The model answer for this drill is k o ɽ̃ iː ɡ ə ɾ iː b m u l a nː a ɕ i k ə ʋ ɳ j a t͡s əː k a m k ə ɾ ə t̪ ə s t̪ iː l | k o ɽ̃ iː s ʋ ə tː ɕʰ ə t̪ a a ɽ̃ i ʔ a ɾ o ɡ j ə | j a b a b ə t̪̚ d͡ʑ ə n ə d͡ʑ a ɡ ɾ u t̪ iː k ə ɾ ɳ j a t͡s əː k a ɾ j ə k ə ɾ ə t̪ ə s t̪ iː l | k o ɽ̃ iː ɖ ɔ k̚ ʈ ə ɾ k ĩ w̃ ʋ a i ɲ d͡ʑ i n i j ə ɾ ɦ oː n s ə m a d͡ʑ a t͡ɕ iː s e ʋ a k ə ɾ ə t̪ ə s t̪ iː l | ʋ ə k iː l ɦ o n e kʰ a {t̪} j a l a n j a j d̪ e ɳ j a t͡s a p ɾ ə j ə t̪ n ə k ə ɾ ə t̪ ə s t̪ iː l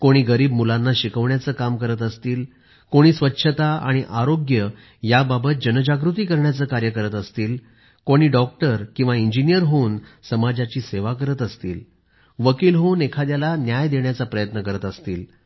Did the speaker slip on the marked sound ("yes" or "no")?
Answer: yes